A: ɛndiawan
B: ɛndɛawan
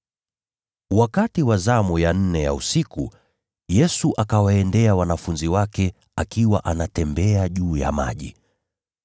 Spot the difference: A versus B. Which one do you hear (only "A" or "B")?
B